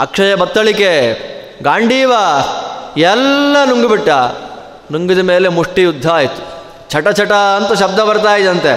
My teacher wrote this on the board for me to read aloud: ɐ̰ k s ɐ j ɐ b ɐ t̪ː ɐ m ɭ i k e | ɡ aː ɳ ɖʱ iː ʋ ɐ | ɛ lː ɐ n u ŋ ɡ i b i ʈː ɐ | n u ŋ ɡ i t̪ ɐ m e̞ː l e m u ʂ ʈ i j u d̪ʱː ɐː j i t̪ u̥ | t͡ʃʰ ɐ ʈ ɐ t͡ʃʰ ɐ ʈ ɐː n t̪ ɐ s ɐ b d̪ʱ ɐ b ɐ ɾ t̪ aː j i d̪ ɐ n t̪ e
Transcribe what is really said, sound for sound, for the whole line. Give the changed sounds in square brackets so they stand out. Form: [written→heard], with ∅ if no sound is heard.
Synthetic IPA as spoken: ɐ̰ k [s→ʂ] ɐ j ɐ b ɐ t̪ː ɐ [m→∅] ɭ i k e | ɡ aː ɳ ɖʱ iː ʋ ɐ | ɛ lː ɐ n u ŋ ɡ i b i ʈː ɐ | n u ŋ ɡ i [t̪→d̪] ɐ m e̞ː l e m u ʂ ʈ i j u d̪ʱː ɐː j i t̪ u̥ | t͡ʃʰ ɐ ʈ ɐ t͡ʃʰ ɐ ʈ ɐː n t̪ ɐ [s→ʃ] ɐ b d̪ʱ ɐ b ɐ ɾ t̪ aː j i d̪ ɐ n t̪ e